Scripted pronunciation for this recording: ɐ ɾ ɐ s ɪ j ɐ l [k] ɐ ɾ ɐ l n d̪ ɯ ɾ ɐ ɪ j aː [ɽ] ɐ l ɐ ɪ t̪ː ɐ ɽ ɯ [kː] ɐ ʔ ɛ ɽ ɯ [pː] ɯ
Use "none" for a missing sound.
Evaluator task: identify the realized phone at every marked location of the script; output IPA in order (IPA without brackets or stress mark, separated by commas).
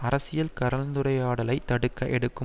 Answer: k, ɽ, kː, kː